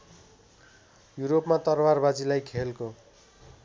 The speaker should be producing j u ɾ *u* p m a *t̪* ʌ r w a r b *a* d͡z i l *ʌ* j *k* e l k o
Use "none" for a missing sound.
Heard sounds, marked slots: o, t̪, a, a, kʰ

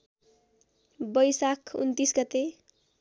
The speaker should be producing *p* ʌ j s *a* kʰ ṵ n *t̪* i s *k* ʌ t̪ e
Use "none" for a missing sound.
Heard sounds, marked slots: b, a, t̪, ɡ

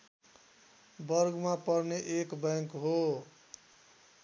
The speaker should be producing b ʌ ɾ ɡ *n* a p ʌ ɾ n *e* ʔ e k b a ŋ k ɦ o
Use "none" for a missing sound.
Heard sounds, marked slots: m, e

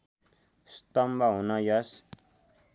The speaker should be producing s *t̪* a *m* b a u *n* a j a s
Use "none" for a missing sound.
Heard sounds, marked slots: t̪, m, n

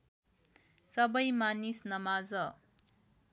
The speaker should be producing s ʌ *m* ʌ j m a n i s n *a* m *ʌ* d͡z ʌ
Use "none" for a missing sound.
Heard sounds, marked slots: b, ʌ, a

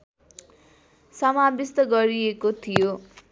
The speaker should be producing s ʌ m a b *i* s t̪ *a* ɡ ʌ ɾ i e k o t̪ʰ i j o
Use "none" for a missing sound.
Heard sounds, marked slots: i, ʌ

